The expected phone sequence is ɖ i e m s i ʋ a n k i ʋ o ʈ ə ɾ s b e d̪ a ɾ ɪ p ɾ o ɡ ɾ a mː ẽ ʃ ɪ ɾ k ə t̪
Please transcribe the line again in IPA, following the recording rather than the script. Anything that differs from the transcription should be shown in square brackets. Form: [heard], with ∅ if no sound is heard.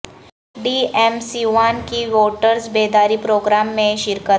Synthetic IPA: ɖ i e m s i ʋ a n k i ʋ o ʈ ə ɾ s b e d̪ a ɾ [i] p ɾ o ɡ ɾ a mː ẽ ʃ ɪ ɾ k ə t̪